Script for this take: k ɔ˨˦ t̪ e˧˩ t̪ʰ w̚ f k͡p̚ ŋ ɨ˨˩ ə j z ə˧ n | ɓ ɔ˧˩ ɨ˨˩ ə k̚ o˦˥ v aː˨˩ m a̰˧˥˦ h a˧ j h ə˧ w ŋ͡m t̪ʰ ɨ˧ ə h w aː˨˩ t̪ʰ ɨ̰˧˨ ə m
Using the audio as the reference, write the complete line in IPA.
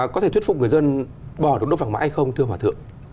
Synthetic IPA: k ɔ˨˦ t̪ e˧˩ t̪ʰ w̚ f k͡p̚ ŋ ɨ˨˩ ə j z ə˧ n | ɓ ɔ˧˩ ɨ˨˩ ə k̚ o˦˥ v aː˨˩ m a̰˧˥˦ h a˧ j x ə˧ w ŋ͡m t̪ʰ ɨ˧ ə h w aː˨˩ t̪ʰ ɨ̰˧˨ ə ŋ